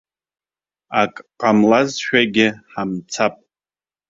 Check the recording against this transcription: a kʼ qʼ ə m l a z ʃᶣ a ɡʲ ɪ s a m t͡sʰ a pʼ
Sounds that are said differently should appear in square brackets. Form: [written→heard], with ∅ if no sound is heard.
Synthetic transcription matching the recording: a kʼ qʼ [ə→a] m l a z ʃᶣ a ɡʲ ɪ [s→ħ] a m t͡sʰ a pʼ

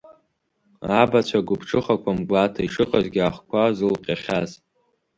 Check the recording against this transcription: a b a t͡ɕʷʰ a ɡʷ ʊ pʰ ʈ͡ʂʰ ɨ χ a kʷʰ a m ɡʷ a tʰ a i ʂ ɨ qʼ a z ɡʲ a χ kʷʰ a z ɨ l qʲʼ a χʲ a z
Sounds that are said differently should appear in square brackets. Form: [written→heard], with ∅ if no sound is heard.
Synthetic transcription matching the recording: a b a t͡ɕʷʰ a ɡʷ ʊ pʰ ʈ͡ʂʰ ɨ χ a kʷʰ a m ɡʷ a tʰ a i ʂ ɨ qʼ a z ɡʲ a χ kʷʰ a z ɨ l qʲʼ a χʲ a z

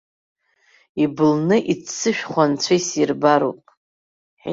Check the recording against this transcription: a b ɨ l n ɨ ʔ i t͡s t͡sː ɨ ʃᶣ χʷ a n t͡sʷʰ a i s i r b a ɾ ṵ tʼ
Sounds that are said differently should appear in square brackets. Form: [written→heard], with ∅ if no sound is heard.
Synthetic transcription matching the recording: [a→i] b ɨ l n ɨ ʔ i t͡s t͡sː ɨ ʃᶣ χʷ a n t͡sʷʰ a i s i r b a ɾ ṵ [tʼ→pʼ]

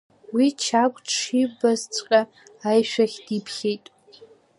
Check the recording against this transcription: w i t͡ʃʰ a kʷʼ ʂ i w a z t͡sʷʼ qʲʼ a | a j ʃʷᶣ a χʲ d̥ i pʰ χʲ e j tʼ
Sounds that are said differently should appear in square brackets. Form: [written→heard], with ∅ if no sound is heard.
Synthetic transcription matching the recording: w i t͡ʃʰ a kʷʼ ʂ i [w→b] a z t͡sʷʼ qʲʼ a | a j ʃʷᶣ a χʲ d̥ i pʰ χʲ e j tʼ

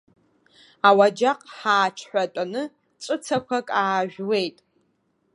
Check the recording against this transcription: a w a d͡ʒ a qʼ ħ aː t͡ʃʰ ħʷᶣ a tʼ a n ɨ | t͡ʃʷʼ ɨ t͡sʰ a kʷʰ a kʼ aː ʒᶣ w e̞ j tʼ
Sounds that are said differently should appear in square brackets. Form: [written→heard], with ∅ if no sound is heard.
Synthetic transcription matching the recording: a w a d͡ʒ a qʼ ħ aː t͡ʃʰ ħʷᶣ a tʼ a n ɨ | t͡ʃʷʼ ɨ t͡sʰ a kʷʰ a kʼ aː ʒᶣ w e̞ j tʼ

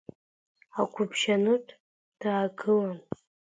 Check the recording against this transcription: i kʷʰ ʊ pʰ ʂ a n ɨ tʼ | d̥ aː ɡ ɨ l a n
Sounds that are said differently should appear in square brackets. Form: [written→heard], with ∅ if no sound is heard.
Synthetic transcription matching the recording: [i→a] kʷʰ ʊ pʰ [ʂ→ʃ] a n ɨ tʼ | d̥ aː ɡ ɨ l a n

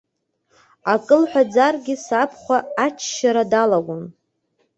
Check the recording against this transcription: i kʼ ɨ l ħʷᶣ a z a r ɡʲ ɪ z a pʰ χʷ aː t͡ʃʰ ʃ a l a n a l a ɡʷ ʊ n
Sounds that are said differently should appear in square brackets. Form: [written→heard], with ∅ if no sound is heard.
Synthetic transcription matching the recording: [i→a] kʼ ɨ l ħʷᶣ a [z→d͡z] a r ɡʲ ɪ [z→s] a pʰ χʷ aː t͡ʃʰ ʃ a [l→ɾ] a [n→d] a l a ɡʷ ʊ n

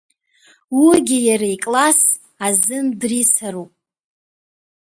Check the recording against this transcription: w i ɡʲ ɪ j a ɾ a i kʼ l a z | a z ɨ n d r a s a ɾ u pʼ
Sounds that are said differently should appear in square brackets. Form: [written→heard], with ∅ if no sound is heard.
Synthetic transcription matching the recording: w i ɡʲ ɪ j a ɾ a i kʼ l a [z→s] | a z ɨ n d r [a→i] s a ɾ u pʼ

